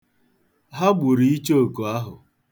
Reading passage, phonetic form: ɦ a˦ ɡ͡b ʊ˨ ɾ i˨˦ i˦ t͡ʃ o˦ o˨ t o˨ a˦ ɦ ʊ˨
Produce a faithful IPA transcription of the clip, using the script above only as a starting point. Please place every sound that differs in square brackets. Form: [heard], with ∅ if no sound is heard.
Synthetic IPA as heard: ɦ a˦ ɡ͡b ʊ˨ ɾ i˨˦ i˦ t͡ʃ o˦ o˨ [k] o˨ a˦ ɦ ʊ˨